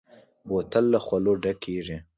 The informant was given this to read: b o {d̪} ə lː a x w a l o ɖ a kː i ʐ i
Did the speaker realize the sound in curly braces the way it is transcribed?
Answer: no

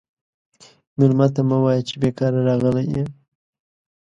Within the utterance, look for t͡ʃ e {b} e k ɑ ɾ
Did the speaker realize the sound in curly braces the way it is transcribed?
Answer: yes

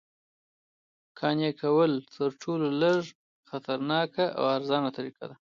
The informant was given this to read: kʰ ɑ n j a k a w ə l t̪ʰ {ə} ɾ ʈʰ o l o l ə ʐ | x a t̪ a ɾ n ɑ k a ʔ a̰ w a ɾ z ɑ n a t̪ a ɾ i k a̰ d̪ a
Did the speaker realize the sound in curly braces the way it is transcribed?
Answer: yes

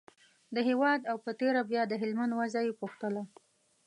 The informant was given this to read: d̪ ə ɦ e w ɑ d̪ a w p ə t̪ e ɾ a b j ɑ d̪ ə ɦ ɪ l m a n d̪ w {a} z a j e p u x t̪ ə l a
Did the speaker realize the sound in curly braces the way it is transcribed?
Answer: yes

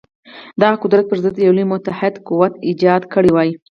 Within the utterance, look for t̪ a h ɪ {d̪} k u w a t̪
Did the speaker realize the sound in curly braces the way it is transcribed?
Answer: yes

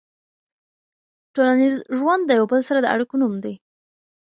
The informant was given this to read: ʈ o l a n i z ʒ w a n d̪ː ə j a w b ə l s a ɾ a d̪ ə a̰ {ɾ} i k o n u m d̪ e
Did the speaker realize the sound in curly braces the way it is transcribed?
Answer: no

